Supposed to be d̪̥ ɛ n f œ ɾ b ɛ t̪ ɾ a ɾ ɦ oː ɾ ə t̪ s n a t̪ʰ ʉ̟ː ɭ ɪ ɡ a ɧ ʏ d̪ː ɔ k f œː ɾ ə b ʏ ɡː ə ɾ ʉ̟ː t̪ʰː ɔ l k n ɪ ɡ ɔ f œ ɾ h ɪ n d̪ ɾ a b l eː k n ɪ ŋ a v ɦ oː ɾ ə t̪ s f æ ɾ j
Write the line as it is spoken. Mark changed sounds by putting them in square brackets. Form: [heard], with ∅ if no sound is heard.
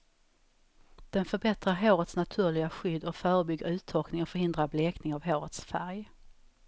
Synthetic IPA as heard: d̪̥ ɛ n f œ ɾ b ɛ t̪ ɾ a ɾ ɦ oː ɾ ə t̪ s n a t̪ʰ ʉ̟ː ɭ ɪ ɡ a ɧ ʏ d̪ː ɔ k f œː ɾ ə b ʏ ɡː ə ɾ ʉ̟ː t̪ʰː ɔ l k n ɪ [ŋ] ɔ f œ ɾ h ɪ n d̪ ɾ a b l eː k n ɪ ŋ a v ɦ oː ɾ ə t̪ s f æ ɾ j